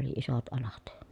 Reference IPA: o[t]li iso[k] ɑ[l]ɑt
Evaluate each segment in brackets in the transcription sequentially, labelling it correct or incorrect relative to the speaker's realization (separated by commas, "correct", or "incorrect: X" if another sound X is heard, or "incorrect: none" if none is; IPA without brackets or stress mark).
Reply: incorrect: none, incorrect: t, correct